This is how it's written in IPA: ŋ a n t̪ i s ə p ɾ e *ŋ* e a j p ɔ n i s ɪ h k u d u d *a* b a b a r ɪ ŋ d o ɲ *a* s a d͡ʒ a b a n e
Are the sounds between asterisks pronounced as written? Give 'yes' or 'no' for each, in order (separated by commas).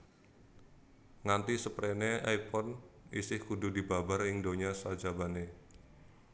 no, no, yes